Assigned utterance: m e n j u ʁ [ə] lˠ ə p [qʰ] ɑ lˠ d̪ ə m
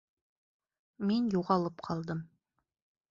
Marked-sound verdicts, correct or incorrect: incorrect: ɑ, correct

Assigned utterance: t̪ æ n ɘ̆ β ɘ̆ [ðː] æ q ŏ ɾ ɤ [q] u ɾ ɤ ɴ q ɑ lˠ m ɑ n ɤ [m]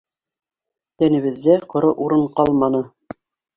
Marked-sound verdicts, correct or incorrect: correct, incorrect: ʔ, incorrect: none

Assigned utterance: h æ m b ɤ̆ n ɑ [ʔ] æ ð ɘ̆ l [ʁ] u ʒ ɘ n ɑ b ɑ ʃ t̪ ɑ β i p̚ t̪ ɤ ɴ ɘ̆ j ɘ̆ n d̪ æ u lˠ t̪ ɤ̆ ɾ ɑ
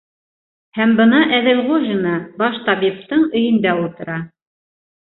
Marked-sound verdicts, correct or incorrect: correct, correct

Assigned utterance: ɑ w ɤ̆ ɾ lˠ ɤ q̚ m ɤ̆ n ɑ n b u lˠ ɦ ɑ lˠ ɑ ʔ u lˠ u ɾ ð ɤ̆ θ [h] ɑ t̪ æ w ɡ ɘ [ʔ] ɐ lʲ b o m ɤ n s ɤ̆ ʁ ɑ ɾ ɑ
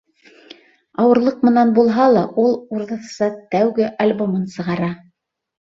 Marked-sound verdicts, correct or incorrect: incorrect: s, correct

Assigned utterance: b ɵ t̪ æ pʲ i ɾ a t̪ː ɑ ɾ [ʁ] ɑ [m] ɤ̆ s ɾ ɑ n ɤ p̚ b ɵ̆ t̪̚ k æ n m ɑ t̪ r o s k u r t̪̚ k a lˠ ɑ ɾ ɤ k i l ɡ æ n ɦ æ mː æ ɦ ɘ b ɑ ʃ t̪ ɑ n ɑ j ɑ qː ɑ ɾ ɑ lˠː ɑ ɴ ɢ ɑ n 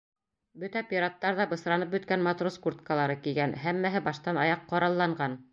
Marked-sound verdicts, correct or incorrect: incorrect: ð, incorrect: b

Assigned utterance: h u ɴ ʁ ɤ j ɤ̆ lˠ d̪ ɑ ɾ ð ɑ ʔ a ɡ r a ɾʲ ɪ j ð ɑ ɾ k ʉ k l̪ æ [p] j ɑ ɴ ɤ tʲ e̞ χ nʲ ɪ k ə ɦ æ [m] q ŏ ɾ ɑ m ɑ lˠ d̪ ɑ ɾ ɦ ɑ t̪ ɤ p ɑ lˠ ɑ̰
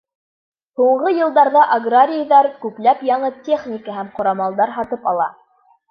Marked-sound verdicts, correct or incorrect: correct, correct

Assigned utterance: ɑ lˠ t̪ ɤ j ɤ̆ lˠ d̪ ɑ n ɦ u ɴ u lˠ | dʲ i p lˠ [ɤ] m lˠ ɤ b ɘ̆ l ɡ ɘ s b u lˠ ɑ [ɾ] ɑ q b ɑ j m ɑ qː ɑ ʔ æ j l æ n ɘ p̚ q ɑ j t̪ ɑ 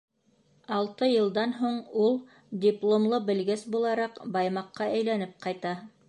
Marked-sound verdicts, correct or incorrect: incorrect: o, correct

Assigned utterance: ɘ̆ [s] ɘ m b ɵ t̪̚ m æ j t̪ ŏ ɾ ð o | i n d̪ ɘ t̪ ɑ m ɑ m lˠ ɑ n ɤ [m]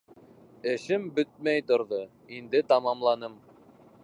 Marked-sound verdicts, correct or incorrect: incorrect: ʃ, correct

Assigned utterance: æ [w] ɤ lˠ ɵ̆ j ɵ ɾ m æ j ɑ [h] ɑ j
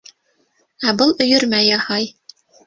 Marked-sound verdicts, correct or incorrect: incorrect: b, correct

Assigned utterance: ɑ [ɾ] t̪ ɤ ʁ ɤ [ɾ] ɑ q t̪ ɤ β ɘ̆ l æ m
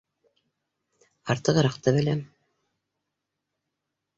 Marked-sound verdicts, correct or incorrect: correct, correct

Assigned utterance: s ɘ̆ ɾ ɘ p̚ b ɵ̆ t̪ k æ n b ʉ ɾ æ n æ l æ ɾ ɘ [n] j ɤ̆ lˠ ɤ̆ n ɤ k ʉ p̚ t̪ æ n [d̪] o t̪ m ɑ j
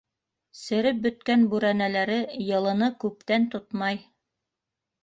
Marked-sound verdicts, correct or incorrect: incorrect: none, incorrect: t̪

